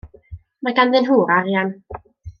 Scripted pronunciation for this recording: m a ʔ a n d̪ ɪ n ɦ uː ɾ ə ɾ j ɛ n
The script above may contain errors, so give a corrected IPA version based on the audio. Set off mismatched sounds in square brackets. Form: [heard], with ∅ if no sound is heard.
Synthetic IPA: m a [k] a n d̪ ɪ n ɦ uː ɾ [a] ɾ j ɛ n